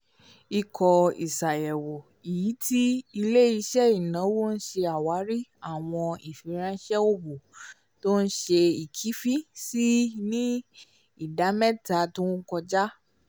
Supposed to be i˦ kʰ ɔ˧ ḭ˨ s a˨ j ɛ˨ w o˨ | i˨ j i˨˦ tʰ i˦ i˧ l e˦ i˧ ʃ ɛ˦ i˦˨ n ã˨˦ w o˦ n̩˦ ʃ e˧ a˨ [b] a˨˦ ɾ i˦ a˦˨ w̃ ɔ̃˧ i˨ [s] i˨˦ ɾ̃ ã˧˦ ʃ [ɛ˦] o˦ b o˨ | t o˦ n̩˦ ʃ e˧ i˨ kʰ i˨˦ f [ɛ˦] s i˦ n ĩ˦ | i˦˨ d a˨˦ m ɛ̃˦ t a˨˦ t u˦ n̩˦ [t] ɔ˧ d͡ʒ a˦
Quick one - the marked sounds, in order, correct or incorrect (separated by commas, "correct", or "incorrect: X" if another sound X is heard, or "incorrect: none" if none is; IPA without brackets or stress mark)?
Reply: incorrect: w, incorrect: f, correct, incorrect: i˦, incorrect: k